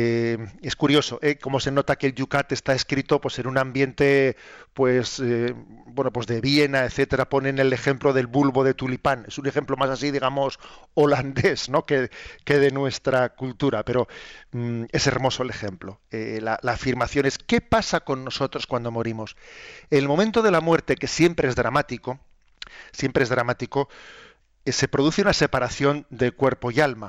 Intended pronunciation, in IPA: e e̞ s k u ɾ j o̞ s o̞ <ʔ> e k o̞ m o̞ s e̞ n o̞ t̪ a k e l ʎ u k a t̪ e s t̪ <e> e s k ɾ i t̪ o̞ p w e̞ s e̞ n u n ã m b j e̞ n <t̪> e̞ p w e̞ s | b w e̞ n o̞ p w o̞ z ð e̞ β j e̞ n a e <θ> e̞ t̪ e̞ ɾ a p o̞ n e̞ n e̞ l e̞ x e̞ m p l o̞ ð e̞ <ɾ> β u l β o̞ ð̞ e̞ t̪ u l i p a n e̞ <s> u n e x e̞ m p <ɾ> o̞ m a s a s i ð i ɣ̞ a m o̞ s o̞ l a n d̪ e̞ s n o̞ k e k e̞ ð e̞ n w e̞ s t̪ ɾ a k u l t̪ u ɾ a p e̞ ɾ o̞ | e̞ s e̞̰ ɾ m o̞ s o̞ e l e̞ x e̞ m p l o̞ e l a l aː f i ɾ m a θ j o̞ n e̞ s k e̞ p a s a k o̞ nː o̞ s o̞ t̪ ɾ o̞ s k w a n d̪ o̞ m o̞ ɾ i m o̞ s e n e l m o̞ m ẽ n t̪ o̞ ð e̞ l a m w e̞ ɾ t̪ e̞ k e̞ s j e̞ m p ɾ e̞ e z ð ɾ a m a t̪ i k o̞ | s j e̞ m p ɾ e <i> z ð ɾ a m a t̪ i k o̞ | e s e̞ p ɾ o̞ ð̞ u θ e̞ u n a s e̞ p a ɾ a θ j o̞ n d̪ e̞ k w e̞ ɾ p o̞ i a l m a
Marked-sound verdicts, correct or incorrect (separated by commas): correct, incorrect, correct, correct, incorrect, correct, incorrect, incorrect